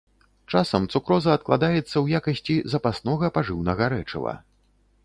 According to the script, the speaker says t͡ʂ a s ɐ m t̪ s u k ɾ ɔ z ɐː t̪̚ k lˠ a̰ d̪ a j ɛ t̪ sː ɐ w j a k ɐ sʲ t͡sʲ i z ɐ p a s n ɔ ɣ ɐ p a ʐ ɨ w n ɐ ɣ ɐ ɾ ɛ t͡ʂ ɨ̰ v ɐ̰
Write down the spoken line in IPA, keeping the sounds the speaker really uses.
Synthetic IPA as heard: t͡ʂ a s ɐ m t̪ s u k ɾ ɔ z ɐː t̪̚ k lˠ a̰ d̪ a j ɛ t̪ sː ɐ w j a k ɐ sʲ t͡sʲ i z ɐ p a s n ɔ ɣ ɐ p a ʐ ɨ w n ɐ ɣ ɐ ɾ ɛ t͡ʂ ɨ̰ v ɐ̰